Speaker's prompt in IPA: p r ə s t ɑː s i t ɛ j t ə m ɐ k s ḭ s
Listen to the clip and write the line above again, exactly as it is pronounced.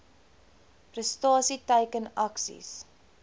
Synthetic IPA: p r ə s t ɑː s i t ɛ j k ə n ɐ k s ḭ s